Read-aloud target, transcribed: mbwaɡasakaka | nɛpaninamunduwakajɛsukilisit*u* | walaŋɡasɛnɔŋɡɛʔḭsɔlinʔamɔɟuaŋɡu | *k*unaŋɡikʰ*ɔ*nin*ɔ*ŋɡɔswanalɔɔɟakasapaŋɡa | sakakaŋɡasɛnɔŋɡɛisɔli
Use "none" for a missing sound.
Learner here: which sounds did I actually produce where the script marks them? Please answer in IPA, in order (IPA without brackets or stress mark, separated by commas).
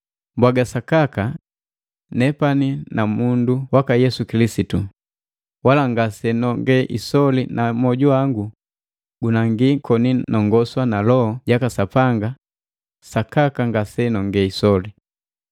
u, ɡ, ɔ, ɔ